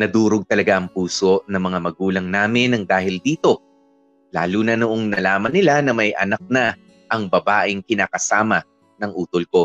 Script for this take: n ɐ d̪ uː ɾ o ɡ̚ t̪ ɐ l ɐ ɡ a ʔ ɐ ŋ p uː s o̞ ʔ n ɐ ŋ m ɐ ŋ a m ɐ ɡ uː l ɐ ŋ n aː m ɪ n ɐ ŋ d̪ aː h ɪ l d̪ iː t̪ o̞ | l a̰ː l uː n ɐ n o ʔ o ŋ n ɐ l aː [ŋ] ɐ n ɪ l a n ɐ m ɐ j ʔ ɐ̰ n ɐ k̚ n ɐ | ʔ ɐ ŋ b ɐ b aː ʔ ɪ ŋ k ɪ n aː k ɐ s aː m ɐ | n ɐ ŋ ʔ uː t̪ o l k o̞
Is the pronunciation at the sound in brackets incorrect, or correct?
incorrect